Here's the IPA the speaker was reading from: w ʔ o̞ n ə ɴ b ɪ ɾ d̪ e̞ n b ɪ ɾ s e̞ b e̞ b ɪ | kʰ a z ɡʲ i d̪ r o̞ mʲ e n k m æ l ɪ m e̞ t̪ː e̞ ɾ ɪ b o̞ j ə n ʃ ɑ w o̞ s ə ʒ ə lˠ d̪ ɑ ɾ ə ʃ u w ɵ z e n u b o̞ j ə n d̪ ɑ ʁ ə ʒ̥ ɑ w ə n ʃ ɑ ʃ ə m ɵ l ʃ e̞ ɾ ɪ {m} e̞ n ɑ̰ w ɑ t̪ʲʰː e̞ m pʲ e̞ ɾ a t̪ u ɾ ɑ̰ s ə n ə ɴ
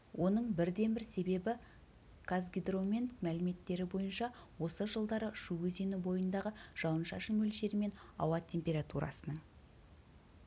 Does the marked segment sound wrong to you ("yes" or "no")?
no